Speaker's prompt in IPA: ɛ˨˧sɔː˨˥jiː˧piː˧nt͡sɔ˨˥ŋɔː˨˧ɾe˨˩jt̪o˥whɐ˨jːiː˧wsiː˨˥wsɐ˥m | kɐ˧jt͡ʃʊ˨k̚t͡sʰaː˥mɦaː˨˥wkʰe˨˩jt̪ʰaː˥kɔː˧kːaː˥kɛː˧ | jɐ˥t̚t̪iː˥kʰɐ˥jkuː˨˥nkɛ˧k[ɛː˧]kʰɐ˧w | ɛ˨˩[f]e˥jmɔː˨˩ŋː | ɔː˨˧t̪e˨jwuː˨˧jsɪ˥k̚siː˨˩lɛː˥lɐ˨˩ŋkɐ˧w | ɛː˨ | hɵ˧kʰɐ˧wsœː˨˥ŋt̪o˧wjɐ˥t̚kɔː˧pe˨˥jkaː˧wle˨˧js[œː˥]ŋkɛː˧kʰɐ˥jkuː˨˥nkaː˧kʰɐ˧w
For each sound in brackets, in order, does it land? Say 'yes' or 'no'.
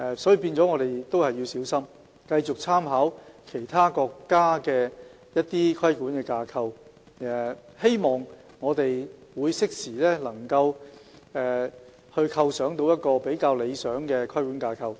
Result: no, no, no

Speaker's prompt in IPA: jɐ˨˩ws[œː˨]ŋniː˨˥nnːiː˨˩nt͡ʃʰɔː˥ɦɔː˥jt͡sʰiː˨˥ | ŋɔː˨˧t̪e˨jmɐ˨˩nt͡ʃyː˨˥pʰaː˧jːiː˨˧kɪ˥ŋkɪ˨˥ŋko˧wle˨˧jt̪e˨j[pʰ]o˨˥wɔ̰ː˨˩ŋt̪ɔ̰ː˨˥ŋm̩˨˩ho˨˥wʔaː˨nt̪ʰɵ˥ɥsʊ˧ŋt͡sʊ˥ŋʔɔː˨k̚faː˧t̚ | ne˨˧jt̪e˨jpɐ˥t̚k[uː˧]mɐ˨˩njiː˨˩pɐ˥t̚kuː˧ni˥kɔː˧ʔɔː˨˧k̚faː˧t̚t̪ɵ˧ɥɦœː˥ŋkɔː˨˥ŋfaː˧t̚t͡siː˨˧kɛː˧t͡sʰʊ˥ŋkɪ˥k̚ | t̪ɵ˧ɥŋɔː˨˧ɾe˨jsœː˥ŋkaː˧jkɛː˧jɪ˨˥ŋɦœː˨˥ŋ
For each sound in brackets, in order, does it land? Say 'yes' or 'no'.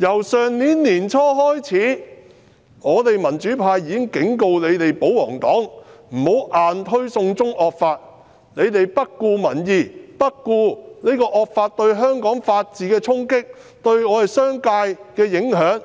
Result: yes, no, yes

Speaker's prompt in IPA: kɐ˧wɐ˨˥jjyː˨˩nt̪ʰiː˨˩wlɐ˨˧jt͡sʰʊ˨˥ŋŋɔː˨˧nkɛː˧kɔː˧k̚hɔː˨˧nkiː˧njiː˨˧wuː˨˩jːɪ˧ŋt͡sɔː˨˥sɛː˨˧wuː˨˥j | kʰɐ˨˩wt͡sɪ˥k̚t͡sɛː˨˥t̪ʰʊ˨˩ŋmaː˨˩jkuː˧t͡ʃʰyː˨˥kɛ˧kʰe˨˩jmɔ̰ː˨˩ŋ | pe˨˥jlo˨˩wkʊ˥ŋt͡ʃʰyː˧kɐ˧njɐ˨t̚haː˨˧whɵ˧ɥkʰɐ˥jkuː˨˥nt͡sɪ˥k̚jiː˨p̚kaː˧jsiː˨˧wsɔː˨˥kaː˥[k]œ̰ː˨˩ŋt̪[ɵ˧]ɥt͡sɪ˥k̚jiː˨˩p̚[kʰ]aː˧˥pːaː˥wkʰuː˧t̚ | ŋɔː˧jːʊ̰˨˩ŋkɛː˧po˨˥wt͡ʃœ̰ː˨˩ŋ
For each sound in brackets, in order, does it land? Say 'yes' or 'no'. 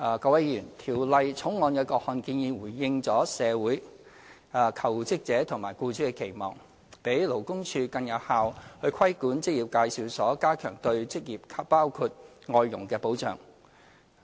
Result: no, yes, yes

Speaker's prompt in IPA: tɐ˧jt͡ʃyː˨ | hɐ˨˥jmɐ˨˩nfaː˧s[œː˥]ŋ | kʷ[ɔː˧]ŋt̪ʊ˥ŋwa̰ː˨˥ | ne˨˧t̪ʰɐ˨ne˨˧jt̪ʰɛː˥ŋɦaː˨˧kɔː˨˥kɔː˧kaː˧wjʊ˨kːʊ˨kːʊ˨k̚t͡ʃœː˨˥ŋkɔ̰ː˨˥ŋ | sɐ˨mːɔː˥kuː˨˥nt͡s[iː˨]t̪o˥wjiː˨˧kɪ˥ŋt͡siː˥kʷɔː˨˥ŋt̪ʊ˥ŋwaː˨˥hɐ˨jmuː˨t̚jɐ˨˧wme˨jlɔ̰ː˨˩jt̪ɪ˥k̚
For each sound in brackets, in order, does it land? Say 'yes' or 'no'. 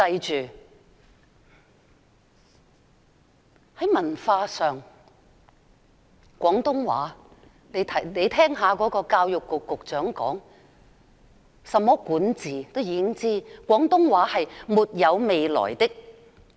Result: no, no, yes

